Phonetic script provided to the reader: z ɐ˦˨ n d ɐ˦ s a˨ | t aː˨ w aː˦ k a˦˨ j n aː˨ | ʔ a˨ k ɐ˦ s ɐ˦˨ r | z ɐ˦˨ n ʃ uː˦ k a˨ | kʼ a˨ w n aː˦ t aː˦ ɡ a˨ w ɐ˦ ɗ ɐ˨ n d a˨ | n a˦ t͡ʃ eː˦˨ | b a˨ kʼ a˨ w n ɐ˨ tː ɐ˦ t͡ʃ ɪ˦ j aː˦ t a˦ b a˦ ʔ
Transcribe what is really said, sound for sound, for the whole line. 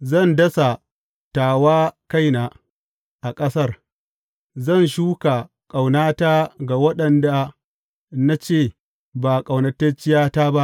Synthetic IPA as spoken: z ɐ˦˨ n d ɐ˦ s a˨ | t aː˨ w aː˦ k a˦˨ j n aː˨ | ʔ a˨ kʼ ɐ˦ s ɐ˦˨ r | z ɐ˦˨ n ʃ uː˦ k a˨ | kʼ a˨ w n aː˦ t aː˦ ɡ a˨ w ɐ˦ ɗ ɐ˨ n d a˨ | n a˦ t͡ʃ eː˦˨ | b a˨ kʼ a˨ w n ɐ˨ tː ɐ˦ t͡ʃ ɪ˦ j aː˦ t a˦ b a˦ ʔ

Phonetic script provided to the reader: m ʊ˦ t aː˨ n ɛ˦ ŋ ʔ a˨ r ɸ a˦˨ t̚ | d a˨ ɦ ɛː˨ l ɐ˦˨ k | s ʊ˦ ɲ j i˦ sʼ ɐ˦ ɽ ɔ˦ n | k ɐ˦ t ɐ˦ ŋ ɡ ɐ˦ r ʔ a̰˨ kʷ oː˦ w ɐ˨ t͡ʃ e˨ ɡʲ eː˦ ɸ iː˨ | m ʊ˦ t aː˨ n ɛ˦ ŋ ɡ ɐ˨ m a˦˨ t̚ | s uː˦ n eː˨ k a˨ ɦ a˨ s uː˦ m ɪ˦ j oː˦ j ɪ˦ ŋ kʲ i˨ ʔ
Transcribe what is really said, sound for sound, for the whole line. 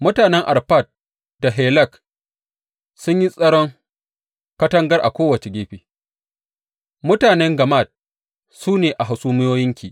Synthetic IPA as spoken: m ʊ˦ t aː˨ n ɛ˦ ŋ ʔ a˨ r ɸ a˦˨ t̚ | d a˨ ɦ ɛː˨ l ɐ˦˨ k | s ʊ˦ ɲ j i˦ sʼ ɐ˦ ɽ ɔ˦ ŋ | k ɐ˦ t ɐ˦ ŋ ɡ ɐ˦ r ʔ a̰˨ kʷ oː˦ w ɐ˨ t͡ʃ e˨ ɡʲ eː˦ ɸ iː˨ | m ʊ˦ t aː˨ n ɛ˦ ŋ ɡ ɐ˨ m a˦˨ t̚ | s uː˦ n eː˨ ʔ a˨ ɦ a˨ s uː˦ m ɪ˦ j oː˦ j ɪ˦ ŋ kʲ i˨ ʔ

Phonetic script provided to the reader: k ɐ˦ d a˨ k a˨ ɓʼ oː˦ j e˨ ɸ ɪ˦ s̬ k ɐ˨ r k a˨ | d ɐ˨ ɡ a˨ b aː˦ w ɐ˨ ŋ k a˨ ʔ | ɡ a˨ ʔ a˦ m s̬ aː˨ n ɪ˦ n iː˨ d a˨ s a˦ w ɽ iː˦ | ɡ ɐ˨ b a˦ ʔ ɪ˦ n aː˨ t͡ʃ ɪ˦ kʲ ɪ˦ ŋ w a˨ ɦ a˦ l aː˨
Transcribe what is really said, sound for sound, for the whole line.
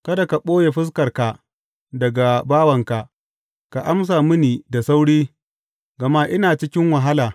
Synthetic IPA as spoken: k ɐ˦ d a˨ k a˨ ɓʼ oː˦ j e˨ ɸ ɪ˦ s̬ k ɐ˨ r k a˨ | d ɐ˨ ɡ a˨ b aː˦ w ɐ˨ ŋ k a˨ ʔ | k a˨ ʔ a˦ m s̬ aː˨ m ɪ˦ n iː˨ d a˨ s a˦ w ɽ iː˦ | ɡ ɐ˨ m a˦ ʔ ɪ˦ n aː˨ t͡ʃ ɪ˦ kʲ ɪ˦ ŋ w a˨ ɦ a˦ l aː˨

